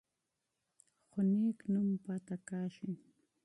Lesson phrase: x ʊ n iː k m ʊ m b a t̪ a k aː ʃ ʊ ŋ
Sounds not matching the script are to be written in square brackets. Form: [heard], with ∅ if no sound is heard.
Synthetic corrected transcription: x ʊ n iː k [n] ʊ m [p] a t̪ a k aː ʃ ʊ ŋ